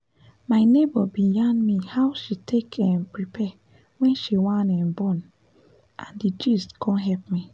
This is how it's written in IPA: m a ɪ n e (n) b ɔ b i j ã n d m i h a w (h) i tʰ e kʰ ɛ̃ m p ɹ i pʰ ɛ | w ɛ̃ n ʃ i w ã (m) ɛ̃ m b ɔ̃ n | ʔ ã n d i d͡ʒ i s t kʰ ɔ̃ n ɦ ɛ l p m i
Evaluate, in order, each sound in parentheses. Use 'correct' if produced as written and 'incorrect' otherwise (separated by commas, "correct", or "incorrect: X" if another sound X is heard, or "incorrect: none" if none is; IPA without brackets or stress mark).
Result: incorrect: none, incorrect: ʃ, incorrect: n